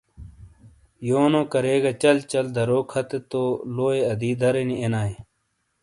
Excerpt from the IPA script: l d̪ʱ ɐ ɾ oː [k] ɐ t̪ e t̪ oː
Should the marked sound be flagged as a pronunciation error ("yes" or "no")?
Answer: yes